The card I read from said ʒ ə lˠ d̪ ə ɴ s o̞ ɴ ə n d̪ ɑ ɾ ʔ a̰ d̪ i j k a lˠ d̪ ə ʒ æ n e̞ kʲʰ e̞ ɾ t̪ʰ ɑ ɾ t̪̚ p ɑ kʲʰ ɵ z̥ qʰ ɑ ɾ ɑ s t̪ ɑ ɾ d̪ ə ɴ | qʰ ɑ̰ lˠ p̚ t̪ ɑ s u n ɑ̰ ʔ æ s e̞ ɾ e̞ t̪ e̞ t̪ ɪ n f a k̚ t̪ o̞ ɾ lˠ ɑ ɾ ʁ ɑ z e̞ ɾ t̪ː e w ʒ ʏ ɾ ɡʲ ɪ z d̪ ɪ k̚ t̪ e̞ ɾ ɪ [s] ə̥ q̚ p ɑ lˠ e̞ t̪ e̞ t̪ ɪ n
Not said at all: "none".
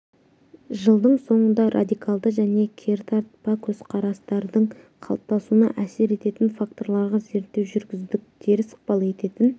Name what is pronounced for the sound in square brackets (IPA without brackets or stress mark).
s